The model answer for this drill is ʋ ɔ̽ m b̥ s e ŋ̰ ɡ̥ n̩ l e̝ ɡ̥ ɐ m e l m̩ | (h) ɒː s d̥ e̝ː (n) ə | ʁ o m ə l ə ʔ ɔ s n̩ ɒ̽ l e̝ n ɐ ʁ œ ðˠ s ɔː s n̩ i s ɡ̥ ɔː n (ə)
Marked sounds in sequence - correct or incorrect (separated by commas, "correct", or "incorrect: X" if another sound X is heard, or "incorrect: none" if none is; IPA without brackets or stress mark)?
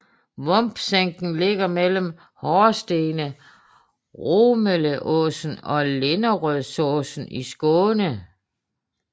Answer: correct, correct, correct